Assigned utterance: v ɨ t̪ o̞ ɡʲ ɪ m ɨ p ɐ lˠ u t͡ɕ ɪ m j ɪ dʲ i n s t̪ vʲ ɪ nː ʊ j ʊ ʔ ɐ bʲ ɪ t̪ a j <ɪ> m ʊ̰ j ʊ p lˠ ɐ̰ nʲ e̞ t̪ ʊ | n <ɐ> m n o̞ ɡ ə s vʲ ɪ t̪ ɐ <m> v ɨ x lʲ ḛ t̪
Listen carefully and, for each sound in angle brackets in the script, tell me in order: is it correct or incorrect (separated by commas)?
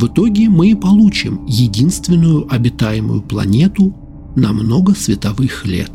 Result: correct, correct, incorrect